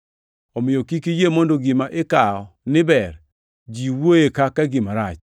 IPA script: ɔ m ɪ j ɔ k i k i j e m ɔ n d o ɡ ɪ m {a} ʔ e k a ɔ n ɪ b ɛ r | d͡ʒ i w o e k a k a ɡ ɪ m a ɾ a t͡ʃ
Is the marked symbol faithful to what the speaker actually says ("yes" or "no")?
yes